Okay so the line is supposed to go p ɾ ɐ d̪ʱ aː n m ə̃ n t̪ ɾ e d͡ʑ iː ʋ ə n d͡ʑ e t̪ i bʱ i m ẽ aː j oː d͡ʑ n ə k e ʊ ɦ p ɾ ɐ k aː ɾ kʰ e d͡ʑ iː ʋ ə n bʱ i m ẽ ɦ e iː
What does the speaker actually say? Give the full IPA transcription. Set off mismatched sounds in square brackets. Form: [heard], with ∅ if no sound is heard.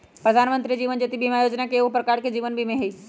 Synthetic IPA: p ɾ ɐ d̪ʱ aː n m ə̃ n t̪ ɾ [i] d͡ʑ iː ʋ ə n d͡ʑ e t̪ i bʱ i m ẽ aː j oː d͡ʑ n [a] k e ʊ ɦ p ɾ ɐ k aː ɾ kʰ e d͡ʑ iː ʋ ə n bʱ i m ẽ ɦ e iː

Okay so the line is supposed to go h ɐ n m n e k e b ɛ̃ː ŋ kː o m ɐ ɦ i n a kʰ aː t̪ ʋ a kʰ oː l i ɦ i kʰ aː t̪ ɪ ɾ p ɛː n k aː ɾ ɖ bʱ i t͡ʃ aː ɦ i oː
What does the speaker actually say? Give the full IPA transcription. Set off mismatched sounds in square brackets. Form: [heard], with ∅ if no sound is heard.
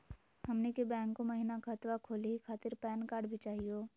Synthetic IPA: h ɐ [∅] m n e k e b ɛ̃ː ŋ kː o m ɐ ɦ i n a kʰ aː t̪ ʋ a kʰ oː l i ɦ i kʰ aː t̪ ɪ ɾ p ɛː n k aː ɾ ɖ bʱ i t͡ʃ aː ɦ i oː

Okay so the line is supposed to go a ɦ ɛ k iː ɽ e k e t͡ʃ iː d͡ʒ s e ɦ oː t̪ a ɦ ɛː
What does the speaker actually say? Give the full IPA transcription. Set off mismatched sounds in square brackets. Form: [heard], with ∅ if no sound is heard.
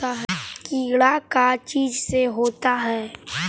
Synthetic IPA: a ɦ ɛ k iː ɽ [a] k [a] t͡ʃ iː d͡ʒ s e ɦ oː t̪ a ɦ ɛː

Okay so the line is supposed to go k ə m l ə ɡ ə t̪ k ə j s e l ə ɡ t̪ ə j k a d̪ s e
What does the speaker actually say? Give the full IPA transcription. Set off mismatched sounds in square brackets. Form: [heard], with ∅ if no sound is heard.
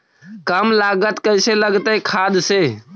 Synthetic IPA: k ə m l [a] ɡ ə t̪ k ə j s e l ə ɡ t̪ ə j [kʰ] a d̪ s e

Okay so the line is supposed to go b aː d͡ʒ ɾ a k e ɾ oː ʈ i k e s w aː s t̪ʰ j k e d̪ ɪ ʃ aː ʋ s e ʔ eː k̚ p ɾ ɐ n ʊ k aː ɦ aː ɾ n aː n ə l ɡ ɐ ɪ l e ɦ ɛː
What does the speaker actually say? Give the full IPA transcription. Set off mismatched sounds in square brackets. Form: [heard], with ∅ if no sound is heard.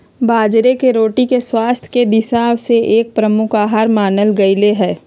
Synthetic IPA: b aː d͡ʒ ɾ [e] k e ɾ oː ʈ i k e s w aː s t̪ʰ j k e d̪ ɪ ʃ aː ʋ s e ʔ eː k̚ p ɾ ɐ [m] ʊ k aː ɦ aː ɾ [m] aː n ə l ɡ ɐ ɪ l e ɦ ɛː

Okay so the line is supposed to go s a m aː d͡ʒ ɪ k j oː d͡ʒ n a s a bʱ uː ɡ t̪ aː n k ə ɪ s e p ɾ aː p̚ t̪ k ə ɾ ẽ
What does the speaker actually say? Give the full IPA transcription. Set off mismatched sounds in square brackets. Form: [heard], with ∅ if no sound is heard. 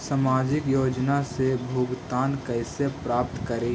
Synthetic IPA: s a m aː d͡ʒ ɪ k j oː d͡ʒ n a s [e] bʱ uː ɡ t̪ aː n k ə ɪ s e p ɾ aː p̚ t̪ k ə ɾ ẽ

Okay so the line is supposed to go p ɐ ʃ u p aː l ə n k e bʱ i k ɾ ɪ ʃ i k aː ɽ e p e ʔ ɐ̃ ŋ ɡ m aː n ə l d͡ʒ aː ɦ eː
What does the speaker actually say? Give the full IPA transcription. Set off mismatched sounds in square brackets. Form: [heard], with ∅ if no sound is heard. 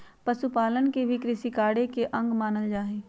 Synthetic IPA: p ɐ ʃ u p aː l ə n k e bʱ i k ɾ ɪ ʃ i k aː ɽ e [k] e ʔ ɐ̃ ŋ ɡ m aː n ə l d͡ʒ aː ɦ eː

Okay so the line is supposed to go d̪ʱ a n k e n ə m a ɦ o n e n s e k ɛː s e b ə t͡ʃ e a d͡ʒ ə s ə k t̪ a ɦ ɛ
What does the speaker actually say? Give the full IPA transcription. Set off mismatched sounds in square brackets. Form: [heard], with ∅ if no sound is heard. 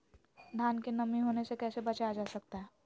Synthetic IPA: d̪ʱ a n k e n ə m [i] ɦ o n e [∅] s e k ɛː s e b ə t͡ʃ [a] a d͡ʒ [a] s ə k t̪ a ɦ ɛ

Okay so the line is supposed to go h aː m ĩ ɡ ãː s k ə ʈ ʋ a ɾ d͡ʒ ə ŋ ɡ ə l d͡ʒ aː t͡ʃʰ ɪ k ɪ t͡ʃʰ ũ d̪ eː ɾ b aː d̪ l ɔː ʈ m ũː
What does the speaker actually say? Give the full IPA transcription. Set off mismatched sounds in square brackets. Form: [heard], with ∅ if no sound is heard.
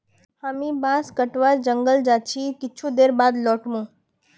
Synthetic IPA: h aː m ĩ [b] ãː s k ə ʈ ʋ a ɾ d͡ʒ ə ŋ ɡ ə l d͡ʒ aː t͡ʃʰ [i] k ɪ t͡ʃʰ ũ d̪ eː ɾ b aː d̪ l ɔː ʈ m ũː

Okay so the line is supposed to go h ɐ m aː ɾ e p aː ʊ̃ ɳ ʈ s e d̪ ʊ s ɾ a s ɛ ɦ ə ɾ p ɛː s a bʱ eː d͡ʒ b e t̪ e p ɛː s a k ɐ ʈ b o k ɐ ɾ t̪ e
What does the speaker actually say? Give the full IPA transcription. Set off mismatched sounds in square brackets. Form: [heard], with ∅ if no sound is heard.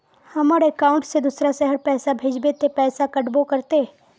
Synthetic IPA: h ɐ m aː ɾ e [k] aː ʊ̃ ɳ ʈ s e d̪ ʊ s ɾ a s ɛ ɦ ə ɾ p ɛː s a bʱ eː d͡ʒ b e t̪ e p ɛː s a k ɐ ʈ b o k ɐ ɾ t̪ e

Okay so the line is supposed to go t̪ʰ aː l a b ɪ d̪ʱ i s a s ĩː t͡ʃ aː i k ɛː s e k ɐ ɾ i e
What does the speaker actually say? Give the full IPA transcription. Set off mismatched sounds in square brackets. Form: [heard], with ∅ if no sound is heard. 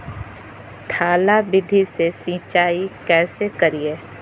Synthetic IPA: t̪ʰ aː l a b ɪ d̪ʱ i s [e] s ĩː t͡ʃ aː i k ɛː s e k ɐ ɾ i e

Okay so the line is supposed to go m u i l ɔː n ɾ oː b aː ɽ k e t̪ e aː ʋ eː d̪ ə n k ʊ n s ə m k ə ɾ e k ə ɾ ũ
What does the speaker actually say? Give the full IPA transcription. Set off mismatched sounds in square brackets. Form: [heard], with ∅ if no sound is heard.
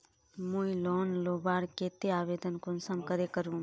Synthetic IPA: m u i l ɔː n [l] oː b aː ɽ k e t̪ e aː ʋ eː d̪ ə n k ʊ n s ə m k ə ɾ e k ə ɾ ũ

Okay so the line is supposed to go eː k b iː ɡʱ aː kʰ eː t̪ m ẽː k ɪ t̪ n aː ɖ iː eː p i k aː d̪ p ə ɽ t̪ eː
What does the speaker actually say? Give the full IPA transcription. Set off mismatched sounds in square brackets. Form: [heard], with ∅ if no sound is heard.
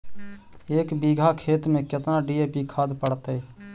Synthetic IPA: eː k b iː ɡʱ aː kʰ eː t̪ m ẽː k ɪ t̪ n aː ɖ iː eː p i [kʰ] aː d̪ p ə ɽ t̪ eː

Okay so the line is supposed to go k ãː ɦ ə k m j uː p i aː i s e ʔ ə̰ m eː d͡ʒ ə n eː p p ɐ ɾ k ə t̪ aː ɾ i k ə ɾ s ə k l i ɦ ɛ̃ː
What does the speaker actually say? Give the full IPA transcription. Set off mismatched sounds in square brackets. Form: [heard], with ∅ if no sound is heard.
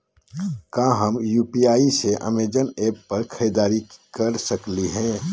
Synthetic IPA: k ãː ɦ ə [∅] m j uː p i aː i s e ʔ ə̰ m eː d͡ʒ ə n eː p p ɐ ɾ [kʰ] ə [d̪] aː ɾ i k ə ɾ s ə k l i ɦ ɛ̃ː

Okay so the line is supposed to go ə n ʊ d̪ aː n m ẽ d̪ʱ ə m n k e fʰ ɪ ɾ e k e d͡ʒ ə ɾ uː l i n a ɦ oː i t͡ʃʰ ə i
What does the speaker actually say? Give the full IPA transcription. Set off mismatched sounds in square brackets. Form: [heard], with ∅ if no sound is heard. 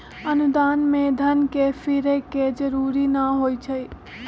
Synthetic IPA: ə n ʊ d̪ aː n m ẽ d̪ʱ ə [∅] n k e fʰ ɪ ɾ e k e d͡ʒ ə ɾ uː [ɾ] i n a ɦ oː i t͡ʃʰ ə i

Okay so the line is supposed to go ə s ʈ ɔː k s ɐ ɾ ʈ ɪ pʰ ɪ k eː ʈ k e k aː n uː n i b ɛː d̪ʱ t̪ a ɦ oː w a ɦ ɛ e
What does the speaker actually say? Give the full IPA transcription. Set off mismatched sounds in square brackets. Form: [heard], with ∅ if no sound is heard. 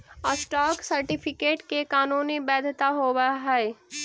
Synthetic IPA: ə s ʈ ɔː k s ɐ ɾ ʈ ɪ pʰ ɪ k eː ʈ k e k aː n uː n i b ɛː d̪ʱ t̪ a ɦ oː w a ɦ ɛ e

